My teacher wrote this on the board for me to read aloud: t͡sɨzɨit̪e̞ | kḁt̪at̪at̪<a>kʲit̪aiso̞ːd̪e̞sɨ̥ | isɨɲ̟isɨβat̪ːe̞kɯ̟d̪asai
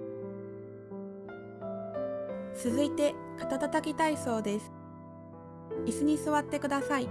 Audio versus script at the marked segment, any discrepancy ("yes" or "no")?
no